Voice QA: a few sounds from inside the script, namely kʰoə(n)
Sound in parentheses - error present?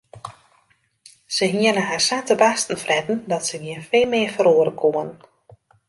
no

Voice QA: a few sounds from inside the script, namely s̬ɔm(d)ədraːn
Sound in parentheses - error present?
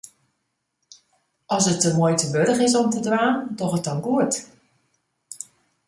yes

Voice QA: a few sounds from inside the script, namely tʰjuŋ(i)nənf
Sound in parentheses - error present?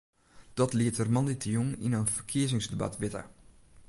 no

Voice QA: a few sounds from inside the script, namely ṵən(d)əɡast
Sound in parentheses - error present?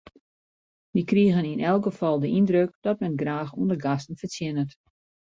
no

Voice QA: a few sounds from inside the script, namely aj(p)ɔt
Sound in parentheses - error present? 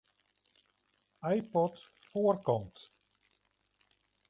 no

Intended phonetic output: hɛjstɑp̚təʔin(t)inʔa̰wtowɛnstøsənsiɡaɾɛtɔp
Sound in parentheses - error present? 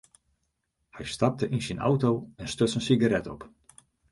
yes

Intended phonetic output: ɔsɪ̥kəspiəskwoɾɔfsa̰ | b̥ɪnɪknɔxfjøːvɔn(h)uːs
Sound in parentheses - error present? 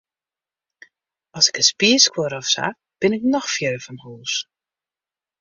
no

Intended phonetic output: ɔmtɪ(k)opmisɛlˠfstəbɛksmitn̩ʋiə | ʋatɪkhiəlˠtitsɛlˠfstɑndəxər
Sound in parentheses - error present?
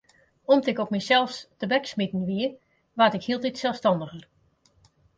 no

